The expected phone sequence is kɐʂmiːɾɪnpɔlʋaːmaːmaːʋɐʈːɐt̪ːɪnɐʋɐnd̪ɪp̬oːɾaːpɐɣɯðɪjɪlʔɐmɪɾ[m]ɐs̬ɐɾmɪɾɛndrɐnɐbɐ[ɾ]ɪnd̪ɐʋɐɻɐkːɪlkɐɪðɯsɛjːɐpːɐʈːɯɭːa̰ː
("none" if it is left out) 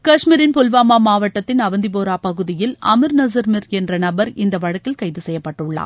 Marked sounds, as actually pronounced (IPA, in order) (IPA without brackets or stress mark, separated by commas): n, ɾ